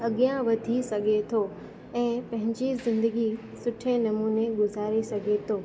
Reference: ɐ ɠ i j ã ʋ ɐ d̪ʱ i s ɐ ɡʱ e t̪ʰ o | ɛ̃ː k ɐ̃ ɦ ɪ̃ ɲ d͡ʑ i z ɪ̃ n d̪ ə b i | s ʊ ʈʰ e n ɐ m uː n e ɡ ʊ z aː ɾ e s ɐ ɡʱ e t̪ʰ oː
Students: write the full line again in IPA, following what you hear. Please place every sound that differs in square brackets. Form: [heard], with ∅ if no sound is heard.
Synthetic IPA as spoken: ɐ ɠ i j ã ʋ ɐ d̪ʱ i s ɐ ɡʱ e t̪ʰ o | ɛ̃ː [p] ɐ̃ ɦ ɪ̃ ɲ d͡ʑ i z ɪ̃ n d̪ ə [ɡ] i | s ʊ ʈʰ e n ɐ m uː n e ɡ ʊ z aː ɾ e s ɐ ɡʱ e t̪ʰ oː